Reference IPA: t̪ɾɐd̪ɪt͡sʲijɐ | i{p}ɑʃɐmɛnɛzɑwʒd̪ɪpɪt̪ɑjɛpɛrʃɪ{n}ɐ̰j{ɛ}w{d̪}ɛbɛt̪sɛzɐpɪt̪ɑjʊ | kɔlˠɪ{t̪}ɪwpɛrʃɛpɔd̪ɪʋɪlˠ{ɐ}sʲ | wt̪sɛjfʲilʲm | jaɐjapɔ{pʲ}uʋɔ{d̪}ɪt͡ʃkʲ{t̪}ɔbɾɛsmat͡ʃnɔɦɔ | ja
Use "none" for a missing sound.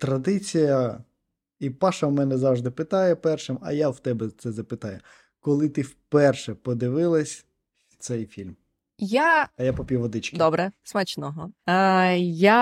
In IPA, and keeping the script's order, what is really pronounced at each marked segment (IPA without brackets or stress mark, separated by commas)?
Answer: p, m, a, t̪, t̪, ɐ, pʲ, d̪, d̪